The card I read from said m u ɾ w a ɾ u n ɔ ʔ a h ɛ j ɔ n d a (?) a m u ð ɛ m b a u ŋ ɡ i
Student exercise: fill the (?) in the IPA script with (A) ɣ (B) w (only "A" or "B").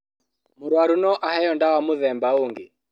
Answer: B